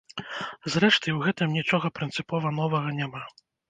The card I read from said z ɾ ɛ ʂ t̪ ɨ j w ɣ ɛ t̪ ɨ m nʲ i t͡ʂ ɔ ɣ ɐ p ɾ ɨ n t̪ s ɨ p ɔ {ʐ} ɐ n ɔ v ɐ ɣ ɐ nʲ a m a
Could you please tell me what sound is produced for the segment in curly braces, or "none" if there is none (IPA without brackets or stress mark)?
v